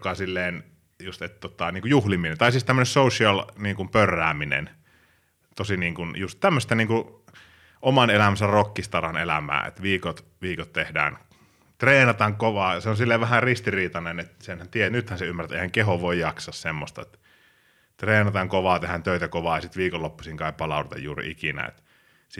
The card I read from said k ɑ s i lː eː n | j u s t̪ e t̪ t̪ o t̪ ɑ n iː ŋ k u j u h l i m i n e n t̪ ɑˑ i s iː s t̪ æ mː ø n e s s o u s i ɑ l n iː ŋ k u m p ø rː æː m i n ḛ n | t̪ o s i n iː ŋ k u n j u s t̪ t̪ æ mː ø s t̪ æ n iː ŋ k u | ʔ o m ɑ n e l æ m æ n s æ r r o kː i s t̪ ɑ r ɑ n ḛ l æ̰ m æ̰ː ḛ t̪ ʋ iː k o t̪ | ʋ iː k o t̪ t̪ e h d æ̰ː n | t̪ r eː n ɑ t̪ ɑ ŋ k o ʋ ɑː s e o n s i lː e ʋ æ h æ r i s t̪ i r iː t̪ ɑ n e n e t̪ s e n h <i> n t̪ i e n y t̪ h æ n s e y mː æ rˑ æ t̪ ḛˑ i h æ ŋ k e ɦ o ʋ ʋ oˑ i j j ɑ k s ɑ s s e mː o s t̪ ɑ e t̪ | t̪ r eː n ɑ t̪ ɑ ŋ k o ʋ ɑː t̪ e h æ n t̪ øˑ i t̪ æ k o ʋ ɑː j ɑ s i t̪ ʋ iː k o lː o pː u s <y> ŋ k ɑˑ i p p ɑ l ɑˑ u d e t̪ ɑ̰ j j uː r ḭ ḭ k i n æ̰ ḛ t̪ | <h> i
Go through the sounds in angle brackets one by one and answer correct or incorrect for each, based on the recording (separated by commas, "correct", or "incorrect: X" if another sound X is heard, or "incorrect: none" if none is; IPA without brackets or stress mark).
incorrect: æ, incorrect: i, incorrect: s